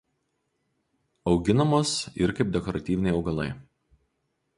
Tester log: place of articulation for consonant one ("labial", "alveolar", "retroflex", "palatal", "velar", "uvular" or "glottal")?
velar